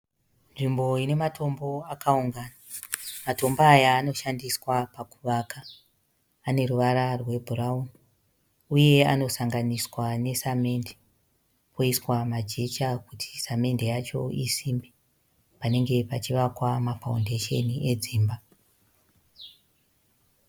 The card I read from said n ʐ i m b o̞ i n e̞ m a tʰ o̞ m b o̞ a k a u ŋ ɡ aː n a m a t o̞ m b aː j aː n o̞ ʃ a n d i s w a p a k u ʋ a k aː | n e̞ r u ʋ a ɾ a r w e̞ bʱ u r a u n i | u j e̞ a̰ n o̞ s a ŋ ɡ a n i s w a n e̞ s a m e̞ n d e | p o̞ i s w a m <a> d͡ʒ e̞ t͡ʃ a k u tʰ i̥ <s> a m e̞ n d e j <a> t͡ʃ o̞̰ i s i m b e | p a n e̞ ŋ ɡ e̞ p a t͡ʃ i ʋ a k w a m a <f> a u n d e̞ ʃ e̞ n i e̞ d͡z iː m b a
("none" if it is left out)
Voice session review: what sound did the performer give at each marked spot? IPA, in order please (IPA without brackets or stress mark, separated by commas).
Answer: a, s, a, f